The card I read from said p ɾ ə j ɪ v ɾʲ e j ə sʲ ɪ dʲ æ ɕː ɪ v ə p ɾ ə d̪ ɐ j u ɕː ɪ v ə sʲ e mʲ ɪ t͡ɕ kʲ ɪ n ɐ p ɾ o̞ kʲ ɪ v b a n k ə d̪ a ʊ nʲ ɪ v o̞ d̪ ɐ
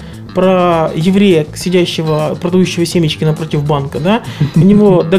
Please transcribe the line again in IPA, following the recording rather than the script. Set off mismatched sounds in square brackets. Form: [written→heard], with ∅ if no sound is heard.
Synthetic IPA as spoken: p ɾ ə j ɪ v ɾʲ e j ə sʲ ɪ dʲ æ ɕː ɪ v ə p ɾ ə d̪ ɐ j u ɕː ɪ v ə sʲ e mʲ ɪ t͡ɕ kʲ ɪ n ɐ p ɾ o̞ [kʲ→tʲ] ɪ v b a n k ə d̪ a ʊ nʲ ɪ v o̞ d̪ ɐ